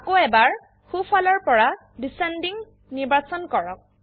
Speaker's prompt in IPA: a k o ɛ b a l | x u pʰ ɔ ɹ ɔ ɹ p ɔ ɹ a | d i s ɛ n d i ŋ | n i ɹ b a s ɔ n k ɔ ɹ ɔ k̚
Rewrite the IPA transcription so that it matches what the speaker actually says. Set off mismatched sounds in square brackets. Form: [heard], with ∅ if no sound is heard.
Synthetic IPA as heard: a k o ɛ b a [ɹ] | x u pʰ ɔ [l] ɔ ɹ p ɔ ɹ a | d i s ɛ n d i ŋ | n i ɹ b a s ɔ n k ɔ ɹ ɔ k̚